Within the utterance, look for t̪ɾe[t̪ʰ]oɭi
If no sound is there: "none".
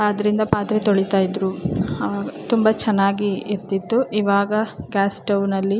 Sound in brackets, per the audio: t̪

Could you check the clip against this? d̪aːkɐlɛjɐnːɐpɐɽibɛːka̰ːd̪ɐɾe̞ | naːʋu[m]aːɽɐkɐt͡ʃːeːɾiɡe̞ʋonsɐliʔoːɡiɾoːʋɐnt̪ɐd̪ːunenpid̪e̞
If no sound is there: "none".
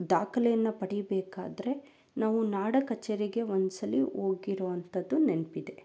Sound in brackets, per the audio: n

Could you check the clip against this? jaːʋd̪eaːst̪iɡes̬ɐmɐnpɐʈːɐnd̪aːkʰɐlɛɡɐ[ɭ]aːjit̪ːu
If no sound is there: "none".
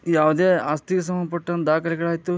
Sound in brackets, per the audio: ɭ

